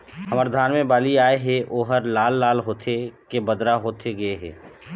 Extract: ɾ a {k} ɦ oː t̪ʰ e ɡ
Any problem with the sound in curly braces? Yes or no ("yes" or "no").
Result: yes